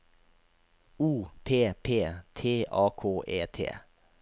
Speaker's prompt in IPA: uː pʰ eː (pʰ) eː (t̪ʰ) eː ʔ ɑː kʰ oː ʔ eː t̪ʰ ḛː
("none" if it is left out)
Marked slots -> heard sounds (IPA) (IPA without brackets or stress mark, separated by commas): pʰ, t̪ʰ